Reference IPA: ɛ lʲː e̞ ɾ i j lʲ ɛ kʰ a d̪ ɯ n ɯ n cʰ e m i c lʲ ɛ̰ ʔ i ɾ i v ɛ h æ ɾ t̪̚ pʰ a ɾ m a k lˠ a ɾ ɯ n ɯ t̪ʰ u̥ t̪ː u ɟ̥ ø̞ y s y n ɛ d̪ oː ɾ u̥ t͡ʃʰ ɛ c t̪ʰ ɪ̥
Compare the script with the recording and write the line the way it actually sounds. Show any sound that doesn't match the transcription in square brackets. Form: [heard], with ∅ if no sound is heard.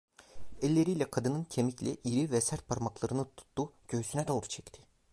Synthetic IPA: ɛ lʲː e̞ ɾ i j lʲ ɛ kʰ a d̪ ɯ n ɯ n cʰ e m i c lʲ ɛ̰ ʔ i ɾ i v ɛ [s] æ ɾ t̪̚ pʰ a ɾ m a k lˠ a ɾ ɯ n ɯ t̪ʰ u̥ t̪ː u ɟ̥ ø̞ y s y n ɛ d̪ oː ɾ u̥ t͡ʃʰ ɛ c t̪ʰ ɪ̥